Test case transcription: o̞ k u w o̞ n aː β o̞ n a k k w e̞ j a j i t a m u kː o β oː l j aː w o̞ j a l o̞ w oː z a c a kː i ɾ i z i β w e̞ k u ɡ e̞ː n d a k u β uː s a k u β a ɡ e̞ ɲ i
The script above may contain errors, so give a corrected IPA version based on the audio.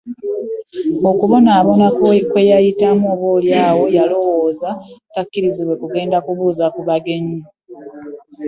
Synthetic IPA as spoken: o̞ k u β o̞ n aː β o̞ n a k k w e̞ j a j i t a m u o β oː l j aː w o̞ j a l o̞ w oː z a t a kː i ɾ i z i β w e̞ k u ɡ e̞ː n d a k u β uː z a k u β a ɡ e̞ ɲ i